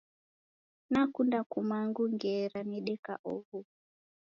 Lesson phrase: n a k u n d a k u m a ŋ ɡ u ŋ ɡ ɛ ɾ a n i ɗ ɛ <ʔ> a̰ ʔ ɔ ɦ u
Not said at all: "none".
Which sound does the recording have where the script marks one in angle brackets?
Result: k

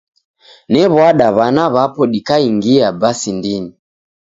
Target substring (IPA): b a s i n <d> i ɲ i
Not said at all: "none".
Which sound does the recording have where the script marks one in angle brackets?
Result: d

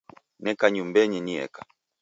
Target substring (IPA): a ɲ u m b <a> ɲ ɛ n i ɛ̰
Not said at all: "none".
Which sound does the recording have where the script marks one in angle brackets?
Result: ɛ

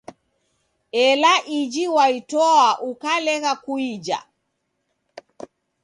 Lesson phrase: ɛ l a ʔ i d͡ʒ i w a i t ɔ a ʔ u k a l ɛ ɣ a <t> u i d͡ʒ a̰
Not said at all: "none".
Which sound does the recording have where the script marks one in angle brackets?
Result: k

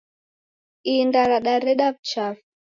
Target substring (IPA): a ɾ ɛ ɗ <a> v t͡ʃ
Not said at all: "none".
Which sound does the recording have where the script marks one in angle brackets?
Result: a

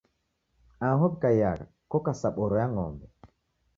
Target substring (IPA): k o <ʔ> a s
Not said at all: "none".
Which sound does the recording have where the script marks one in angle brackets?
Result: k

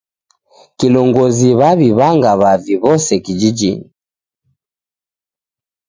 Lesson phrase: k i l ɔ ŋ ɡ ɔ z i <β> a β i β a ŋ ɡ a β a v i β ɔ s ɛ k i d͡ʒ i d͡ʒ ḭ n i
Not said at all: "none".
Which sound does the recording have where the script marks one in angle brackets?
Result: β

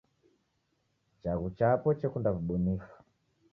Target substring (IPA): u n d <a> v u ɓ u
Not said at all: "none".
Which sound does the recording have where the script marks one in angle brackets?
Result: a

